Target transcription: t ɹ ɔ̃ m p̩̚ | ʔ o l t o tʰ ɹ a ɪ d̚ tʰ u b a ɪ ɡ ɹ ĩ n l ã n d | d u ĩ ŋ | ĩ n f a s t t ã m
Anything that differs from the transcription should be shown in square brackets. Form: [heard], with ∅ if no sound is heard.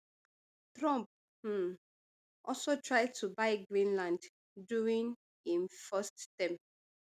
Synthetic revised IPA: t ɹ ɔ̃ m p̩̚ | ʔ [ɔ] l [s] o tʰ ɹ a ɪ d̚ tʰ u b a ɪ ɡ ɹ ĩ n l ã n d | d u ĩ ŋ | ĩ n f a s t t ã m